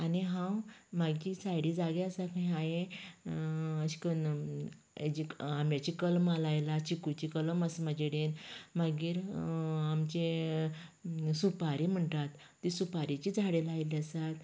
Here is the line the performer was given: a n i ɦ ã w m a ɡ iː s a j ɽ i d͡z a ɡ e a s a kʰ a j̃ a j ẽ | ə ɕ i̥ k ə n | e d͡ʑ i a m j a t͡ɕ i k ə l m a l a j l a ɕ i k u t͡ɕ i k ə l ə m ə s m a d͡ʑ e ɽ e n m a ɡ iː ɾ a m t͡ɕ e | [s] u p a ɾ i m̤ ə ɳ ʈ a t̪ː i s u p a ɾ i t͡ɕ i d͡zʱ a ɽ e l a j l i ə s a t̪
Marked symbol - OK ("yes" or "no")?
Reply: yes